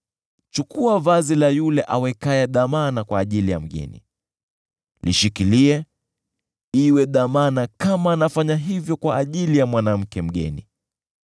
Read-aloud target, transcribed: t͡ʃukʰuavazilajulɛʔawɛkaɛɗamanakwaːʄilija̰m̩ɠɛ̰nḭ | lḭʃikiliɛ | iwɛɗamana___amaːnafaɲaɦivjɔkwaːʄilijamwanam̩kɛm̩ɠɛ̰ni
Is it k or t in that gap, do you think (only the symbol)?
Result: k